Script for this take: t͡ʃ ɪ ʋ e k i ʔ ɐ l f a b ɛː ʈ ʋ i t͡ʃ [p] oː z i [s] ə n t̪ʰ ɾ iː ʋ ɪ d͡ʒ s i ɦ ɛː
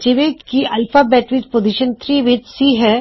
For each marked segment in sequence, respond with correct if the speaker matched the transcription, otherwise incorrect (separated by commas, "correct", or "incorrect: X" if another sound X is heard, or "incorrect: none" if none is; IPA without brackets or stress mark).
correct, incorrect: ʃ